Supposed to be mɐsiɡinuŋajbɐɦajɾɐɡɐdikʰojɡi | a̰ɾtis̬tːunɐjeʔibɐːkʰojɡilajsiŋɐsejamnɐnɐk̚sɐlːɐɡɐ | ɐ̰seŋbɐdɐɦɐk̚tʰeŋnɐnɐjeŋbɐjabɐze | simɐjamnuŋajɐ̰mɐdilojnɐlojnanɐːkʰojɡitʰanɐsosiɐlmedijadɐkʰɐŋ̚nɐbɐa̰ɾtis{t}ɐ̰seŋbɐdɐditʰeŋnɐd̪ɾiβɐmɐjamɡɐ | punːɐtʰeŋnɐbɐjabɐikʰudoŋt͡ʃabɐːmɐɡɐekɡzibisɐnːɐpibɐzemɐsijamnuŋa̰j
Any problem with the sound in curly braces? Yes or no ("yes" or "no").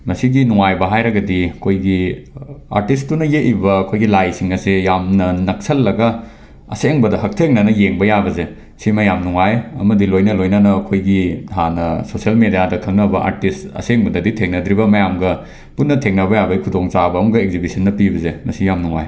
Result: no